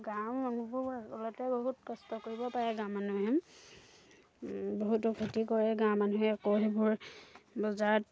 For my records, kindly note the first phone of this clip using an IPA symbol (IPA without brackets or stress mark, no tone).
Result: ɡ